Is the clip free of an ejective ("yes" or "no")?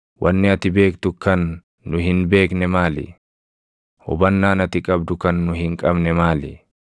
no